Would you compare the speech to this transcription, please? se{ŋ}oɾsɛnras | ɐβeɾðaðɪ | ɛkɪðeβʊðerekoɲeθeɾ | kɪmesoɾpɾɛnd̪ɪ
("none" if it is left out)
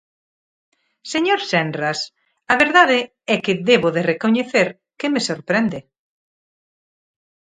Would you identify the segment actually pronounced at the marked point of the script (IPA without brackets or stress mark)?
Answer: ɲ